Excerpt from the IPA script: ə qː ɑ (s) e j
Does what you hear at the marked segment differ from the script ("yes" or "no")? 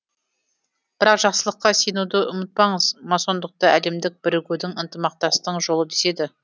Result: no